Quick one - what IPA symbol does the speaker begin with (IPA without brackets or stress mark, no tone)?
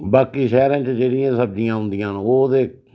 b